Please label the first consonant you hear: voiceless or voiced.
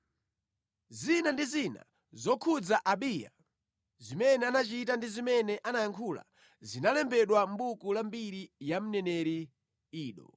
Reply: voiced